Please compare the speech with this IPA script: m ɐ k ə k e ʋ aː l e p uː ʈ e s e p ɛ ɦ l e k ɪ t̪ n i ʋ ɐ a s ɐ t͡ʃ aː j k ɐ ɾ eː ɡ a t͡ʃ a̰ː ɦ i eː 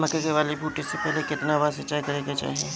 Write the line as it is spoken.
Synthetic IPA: m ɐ k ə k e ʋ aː l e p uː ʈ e s e p ɛ ɦ l e k ɪ t̪ n a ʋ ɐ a s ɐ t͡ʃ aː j k ɐ ɾ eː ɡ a t͡ʃ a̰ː ɦ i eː